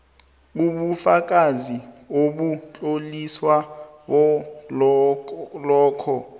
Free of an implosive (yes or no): no